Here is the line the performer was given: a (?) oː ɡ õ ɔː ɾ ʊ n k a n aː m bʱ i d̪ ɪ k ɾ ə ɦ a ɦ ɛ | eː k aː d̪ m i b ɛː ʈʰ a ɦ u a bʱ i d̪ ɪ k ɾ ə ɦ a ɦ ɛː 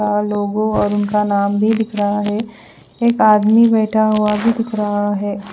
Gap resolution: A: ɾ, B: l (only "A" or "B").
B